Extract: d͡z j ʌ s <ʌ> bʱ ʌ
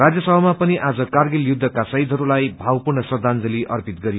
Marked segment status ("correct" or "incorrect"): correct